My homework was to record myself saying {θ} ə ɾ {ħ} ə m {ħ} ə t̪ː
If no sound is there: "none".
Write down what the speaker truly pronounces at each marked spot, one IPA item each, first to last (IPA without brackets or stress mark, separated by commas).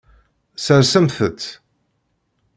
s, s, θ